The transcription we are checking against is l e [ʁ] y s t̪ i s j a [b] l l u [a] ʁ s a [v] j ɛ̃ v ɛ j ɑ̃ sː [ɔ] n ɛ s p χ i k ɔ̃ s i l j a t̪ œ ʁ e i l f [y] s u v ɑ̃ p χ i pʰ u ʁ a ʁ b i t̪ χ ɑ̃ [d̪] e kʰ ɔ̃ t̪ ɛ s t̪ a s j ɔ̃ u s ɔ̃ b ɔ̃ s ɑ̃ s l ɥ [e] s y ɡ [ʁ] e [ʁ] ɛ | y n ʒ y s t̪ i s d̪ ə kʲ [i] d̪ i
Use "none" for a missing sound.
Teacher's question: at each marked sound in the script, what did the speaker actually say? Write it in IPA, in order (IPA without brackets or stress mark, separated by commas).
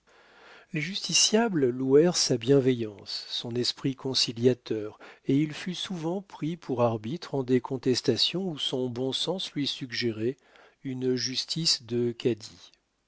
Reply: ʒ, b, ɛ, b, ɔ̃, y, d̪, i, ʒ, ʁ, a